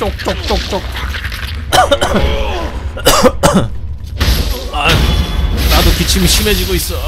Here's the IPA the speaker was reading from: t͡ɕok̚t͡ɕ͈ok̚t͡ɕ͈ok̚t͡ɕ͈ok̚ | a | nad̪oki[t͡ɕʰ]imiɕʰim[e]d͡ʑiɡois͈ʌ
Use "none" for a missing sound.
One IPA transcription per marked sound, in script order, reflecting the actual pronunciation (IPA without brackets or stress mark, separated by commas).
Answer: t͡ɕʰ, e